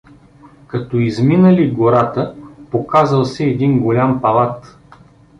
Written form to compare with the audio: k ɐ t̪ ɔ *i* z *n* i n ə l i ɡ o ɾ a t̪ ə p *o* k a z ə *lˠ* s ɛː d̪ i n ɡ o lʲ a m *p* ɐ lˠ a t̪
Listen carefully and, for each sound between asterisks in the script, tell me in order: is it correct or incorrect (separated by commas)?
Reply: correct, incorrect, correct, correct, correct